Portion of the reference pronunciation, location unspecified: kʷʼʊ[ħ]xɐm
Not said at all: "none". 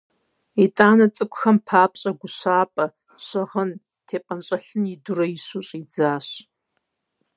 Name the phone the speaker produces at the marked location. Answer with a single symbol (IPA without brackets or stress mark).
none